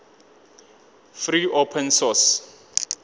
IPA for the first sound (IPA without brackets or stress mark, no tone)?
f